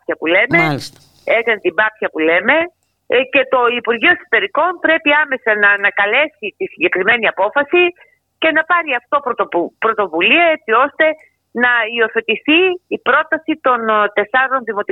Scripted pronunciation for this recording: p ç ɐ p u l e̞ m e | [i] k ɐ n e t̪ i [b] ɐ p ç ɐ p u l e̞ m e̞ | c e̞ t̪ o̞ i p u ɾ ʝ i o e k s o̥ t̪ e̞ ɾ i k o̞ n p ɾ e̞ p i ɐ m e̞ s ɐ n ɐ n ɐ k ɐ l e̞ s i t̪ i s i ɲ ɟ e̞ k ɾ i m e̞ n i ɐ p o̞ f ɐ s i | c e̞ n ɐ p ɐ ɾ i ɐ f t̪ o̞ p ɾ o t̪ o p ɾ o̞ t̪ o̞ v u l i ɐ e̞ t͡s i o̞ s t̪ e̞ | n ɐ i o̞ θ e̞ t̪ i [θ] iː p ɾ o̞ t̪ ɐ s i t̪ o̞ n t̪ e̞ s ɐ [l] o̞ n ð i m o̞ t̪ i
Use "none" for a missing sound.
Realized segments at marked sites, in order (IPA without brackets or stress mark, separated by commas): e, b, θ, ɾ